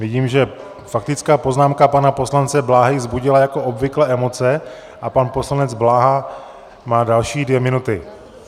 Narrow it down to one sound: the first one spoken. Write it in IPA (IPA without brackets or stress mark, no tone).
v